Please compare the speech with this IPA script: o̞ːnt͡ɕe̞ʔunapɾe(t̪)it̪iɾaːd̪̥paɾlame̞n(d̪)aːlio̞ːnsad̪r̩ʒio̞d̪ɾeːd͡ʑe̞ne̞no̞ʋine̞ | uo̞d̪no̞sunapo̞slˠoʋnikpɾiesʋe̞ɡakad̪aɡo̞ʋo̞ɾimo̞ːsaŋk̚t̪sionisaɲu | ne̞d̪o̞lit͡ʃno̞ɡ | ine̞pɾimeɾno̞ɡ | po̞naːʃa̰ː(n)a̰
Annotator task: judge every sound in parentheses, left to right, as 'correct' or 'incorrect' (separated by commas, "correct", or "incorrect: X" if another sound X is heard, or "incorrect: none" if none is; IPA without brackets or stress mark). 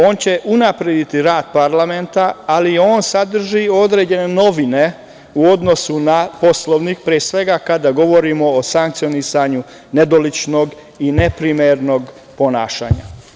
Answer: incorrect: d̪, incorrect: t̪, incorrect: ɲ